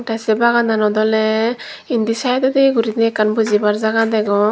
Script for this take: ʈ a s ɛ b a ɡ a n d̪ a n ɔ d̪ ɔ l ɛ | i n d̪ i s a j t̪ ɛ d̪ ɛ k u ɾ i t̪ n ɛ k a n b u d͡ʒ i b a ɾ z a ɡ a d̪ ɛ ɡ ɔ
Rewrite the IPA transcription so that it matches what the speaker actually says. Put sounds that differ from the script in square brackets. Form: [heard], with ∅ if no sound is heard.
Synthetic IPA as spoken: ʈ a s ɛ b a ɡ a n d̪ a n ɔ d̪ ɔ l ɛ | i n d̪ i s a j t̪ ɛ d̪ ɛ [ɡ] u ɾ i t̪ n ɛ k a n b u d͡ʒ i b a ɾ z a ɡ a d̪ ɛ ɡ ɔ